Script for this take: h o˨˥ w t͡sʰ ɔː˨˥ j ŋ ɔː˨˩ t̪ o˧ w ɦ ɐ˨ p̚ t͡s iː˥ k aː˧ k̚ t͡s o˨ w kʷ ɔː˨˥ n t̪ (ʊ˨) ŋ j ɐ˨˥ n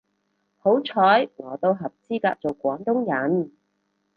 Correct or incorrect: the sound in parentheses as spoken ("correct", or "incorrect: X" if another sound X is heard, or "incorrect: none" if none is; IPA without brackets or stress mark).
incorrect: ʊ˥